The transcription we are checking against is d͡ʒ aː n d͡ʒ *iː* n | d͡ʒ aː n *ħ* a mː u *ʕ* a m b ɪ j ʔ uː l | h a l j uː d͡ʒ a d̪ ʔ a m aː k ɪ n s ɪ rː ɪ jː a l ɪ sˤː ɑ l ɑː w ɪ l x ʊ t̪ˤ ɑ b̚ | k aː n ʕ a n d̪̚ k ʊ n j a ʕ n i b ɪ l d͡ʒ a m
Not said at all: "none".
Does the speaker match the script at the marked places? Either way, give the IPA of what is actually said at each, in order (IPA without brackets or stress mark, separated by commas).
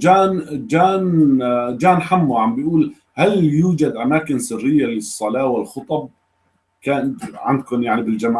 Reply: aː, ħ, ʕ